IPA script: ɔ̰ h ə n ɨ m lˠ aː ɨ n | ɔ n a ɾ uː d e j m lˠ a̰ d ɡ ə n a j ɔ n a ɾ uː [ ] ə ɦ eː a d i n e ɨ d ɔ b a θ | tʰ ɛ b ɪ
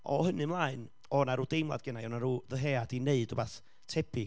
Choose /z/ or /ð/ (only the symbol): ð